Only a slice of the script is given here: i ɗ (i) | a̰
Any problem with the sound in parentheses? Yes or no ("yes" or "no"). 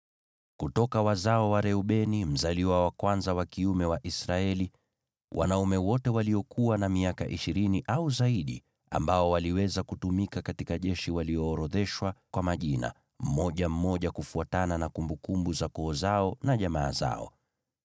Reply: no